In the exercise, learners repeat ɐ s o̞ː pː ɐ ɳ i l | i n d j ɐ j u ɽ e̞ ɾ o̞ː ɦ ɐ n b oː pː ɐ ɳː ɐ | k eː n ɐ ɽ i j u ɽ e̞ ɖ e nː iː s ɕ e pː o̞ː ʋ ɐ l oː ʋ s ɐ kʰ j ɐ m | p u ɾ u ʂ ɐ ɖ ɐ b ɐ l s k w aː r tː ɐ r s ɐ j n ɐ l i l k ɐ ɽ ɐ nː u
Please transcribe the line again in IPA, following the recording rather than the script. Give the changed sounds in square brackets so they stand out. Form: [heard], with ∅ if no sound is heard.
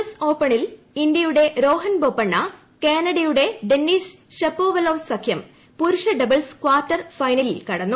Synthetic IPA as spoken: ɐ s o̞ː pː ɐ ɳ i l | i n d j ɐ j u ɽ e̞ ɾ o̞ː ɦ ɐ n b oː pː ɐ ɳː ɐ | k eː n ɐ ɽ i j u ɽ e̞ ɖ e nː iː s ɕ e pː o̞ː ʋ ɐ l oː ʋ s ɐ kʰ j ɐ m | p u ɾ u ʂ ɐ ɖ ɐ b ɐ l s k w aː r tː ɐ r [f] ɐ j n ɐ l i l k ɐ ɽ ɐ nː u